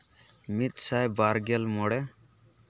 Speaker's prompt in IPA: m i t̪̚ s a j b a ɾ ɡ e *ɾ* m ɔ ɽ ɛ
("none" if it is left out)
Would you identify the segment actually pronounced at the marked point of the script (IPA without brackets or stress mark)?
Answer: l